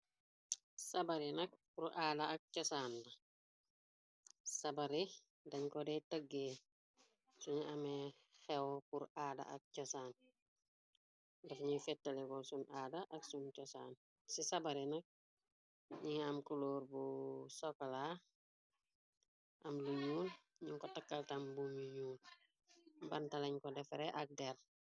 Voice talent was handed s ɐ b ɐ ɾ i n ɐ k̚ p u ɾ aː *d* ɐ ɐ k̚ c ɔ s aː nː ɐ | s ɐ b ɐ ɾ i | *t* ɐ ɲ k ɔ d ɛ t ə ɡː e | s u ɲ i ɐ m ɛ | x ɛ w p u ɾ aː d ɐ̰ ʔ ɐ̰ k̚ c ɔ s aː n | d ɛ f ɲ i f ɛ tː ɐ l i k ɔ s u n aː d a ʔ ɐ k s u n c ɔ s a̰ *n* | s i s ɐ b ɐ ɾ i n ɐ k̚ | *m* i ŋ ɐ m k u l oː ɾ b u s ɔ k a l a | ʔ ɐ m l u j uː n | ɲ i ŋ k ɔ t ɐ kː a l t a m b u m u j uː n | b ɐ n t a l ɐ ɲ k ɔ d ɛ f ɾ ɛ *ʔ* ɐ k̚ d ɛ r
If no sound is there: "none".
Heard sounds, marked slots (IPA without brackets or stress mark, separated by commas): d, d, n, ɲ, ʔ